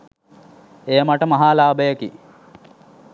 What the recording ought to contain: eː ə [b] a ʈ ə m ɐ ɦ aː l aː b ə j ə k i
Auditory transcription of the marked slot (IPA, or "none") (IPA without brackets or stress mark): m